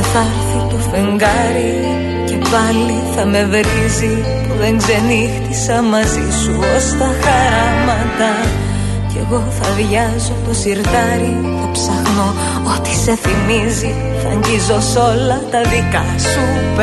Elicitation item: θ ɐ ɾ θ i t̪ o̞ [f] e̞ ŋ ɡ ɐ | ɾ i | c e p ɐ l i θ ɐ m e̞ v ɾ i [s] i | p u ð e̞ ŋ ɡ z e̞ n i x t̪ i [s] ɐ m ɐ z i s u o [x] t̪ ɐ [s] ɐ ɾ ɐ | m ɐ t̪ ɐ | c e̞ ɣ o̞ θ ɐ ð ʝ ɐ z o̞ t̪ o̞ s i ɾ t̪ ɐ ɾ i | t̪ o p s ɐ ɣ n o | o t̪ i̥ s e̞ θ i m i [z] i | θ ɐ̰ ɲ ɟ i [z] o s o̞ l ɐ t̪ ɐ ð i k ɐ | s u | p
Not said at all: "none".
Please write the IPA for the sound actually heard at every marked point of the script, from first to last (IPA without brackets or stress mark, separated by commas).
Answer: f, z, s, s, x, z, z